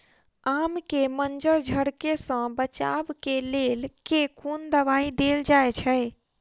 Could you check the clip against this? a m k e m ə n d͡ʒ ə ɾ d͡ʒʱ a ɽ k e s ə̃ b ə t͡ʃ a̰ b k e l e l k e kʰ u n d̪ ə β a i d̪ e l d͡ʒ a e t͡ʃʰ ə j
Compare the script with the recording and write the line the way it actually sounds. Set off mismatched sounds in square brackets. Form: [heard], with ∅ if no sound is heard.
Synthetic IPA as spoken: a m k e m ə n d͡ʒ ə ɾ d͡ʒʱ [ə] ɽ k e s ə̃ b ə t͡ʃ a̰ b k e l e l k e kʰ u n d̪ ə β a i d̪ e l d͡ʒ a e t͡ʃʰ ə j